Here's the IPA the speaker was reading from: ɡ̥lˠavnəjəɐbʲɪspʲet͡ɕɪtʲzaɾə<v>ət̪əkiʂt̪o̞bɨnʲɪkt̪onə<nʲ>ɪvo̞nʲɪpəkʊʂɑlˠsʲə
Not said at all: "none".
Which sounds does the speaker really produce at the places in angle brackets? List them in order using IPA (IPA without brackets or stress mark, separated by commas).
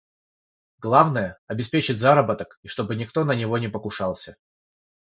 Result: b, nʲ